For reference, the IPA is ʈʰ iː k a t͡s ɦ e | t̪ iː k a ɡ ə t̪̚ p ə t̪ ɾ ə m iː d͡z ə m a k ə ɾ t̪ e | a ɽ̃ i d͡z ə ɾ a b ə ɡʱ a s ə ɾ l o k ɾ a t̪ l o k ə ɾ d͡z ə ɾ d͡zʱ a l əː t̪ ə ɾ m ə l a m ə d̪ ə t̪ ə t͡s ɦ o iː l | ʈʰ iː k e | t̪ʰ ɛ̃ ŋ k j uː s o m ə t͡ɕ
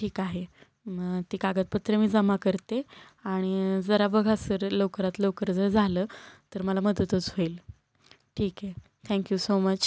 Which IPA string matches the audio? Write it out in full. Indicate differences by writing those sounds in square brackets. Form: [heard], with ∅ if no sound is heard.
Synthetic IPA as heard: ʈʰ iː k a [∅] ɦ e | t̪ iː k a ɡ ə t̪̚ p ə t̪ ɾ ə m iː d͡z ə m a k ə ɾ t̪ e | a ɽ̃ i d͡z ə ɾ a b ə ɡʱ a s ə ɾ l o k ɾ a t̪ l o k ə ɾ d͡z ə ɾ d͡zʱ a l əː t̪ ə ɾ m ə l a m ə d̪ ə t̪ ə t͡s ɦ o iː l | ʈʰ iː k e | t̪ʰ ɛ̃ ŋ k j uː s o m ə t͡ɕ